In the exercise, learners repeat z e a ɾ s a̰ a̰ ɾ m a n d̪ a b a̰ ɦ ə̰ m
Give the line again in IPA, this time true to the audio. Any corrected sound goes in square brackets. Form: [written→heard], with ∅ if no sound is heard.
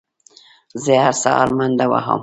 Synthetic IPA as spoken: z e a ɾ s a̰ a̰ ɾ m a n d̪ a [b→w] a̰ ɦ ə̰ m